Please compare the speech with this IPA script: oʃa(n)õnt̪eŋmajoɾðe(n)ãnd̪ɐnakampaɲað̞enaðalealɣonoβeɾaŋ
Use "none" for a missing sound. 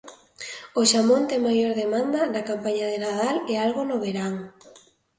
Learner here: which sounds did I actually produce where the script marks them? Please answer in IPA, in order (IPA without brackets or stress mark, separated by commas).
m, m